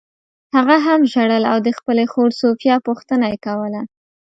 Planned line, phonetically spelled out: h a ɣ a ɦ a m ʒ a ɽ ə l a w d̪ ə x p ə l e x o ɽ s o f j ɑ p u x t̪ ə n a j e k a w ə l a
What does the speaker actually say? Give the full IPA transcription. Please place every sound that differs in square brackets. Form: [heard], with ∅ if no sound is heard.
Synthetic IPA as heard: h a ɣ a ɦ a m ʒ a ɽ ə l a w d̪ ə x p ə l e x o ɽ s o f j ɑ p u x t̪ ə n a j e k a w ə l a